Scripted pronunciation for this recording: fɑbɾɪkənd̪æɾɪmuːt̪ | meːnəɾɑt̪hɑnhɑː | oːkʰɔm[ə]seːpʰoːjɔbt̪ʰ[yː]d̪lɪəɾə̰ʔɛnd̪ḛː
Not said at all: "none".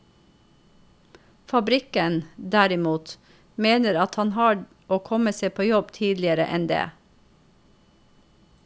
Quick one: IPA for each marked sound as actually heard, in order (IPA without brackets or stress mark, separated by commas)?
ə, iː